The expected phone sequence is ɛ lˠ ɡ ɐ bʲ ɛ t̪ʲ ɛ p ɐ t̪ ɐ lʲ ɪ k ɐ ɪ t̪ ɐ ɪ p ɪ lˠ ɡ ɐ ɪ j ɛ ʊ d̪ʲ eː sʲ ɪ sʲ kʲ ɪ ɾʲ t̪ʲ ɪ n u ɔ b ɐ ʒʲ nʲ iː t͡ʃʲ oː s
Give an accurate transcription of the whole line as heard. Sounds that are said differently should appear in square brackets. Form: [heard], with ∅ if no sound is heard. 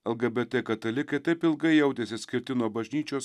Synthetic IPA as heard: ɛ lˠ ɡ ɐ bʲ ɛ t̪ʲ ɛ [k] ɐ t̪ ɐ lʲ ɪ k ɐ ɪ t̪ ɐ ɪ p ɪ lˠ ɡ ɐ ɪ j ɛ ʊ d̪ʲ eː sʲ ɪ sʲ kʲ ɪ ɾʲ t̪ʲ ɪ n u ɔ b ɐ ʒʲ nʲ iː t͡ʃʲ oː s